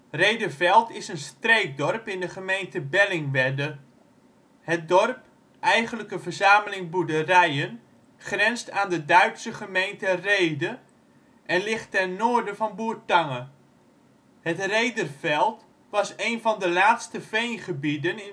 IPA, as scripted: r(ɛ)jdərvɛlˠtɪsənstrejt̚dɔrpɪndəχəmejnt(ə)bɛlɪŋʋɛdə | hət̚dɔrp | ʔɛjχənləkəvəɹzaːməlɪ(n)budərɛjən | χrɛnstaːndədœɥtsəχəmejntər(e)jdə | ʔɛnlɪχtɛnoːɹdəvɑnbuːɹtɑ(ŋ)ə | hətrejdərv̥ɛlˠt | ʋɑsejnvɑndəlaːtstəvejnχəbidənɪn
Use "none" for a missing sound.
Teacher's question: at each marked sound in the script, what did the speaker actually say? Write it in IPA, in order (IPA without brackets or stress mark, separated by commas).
e, ə, ŋ, e, ŋ